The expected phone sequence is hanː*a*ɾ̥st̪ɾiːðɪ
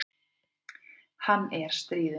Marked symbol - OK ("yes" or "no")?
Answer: no